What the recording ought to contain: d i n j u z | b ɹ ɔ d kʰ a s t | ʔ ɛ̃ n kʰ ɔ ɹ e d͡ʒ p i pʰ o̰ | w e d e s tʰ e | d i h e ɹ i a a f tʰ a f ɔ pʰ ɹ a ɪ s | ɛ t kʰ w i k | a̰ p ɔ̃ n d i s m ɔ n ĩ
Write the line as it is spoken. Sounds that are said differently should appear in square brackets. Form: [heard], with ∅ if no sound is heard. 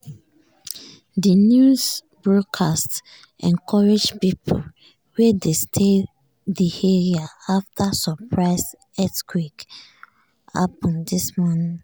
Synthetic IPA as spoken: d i n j u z | b ɹ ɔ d kʰ a s t | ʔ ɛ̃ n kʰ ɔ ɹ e d͡ʒ p i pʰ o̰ | w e d e s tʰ e | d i h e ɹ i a a f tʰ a [s] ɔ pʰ ɹ a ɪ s | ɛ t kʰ w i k | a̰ p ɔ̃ n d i s m ɔ n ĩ

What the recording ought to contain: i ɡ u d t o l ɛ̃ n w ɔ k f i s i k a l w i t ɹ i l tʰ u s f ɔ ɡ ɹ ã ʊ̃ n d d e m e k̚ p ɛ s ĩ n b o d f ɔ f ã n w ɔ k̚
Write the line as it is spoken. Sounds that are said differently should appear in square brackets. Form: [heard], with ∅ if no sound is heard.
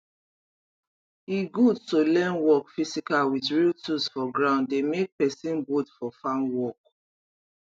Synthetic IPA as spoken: i ɡ u d t o l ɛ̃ n w ɔ k f i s i k a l w i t ɹ i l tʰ u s f ɔ ɡ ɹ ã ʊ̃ n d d e m e k̚ p ɛ s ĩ n b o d f ɔ f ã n w ɔ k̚

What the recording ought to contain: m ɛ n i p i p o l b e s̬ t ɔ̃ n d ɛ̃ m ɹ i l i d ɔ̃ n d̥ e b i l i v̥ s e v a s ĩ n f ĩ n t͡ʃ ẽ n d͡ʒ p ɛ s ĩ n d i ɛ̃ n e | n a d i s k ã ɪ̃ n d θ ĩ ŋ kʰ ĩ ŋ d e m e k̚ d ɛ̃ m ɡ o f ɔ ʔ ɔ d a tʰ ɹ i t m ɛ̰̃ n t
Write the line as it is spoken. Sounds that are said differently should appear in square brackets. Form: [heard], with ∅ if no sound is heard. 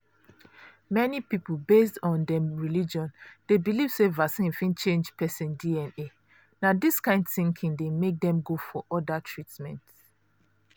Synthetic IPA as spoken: m ɛ n i p i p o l b e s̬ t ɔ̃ n d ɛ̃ m ɹ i l i [d͡ʒ] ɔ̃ n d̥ e b i l i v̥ s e v a s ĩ n f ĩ n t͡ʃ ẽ n d͡ʒ p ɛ s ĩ n d i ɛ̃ n e | n a d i s k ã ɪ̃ n d θ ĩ ŋ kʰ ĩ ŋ d e m e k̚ d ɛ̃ m ɡ o f ɔ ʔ ɔ d a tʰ ɹ i t m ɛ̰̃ n t

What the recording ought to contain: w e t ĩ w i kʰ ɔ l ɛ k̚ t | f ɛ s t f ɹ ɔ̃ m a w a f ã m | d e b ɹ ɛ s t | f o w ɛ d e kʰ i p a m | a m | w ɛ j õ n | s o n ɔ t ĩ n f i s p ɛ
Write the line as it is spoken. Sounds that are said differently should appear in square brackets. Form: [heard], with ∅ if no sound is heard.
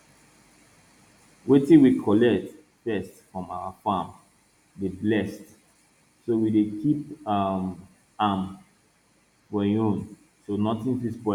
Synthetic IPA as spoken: w e t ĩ w i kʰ ɔ l ɛ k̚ t | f ɛ s t f ɹ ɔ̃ m a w a f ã m | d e b [l] ɛ s t | [s] o w [i] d e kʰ i p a m | a m | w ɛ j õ n | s o n ɔ t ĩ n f i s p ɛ

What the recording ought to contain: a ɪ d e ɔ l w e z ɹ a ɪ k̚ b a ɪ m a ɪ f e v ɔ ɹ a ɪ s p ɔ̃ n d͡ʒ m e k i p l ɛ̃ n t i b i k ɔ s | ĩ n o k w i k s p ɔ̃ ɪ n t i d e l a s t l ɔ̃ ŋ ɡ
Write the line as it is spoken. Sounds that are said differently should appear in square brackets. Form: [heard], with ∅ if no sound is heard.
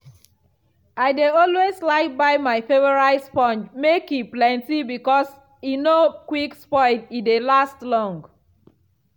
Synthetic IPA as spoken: a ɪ d e ɔ l w e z [l] a ɪ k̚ b a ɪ m a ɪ f e v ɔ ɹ a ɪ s p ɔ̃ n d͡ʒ m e k i p l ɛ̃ n t i b i k ɔ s | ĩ n o k w i k s p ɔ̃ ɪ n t i d e l a s t l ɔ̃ ŋ ɡ

